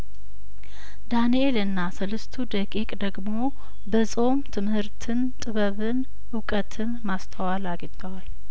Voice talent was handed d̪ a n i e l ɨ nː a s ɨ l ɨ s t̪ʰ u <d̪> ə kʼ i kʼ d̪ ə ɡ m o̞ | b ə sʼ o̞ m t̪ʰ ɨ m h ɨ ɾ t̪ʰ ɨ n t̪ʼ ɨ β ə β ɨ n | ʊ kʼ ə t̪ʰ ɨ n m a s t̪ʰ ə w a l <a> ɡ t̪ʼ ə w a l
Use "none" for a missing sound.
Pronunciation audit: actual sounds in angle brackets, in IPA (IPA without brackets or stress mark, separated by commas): d̪, a